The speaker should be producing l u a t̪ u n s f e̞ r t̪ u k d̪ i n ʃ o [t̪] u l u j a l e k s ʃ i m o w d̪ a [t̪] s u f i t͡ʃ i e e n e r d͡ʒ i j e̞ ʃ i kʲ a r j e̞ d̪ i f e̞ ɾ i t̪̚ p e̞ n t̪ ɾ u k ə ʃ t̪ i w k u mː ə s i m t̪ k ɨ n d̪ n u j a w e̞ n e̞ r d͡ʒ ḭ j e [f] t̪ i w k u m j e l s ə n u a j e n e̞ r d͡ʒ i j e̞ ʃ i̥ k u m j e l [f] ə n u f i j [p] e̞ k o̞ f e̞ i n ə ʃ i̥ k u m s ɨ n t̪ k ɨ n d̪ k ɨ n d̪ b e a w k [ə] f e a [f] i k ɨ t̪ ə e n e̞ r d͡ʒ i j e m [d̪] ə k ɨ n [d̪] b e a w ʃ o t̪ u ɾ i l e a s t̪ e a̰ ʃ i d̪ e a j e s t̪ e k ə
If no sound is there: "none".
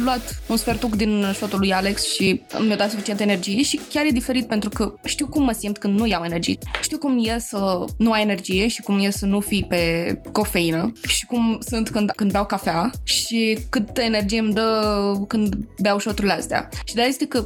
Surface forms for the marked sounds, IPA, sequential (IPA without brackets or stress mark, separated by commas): t̪, t̪, ʃ, s, p, a, ʃ, d̪, d̪